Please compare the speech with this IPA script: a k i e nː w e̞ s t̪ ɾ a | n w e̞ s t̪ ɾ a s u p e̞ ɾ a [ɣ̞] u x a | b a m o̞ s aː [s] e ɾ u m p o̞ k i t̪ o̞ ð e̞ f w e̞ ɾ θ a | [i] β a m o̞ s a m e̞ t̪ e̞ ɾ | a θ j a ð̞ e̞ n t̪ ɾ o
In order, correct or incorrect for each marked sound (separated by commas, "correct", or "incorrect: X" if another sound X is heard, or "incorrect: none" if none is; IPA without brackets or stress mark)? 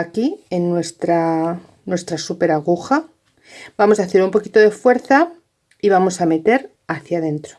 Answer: correct, incorrect: θ, correct